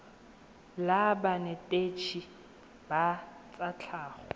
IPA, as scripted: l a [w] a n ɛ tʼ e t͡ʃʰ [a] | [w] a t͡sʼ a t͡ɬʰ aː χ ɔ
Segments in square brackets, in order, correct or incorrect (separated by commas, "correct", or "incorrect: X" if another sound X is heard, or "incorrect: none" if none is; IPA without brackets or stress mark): incorrect: b, incorrect: i, incorrect: b